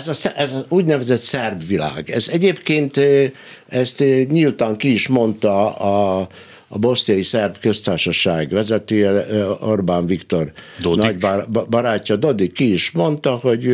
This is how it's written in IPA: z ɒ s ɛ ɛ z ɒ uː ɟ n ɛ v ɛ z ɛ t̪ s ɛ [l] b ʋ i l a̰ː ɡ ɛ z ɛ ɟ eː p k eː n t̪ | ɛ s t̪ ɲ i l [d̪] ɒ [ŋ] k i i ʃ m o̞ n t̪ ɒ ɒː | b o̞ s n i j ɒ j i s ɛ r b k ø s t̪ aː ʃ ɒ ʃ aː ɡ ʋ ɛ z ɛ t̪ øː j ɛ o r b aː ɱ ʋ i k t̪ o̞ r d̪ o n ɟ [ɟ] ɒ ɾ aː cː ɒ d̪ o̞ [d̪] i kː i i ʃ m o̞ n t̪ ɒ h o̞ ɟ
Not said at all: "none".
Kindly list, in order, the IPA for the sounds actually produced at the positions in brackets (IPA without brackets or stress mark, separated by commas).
r, t̪, ŋ, b, d̪